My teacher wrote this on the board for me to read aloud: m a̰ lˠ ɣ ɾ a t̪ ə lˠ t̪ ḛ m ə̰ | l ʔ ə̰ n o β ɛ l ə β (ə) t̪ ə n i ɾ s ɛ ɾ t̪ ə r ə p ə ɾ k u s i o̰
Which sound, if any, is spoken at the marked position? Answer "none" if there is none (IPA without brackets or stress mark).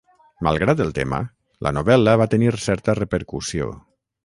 a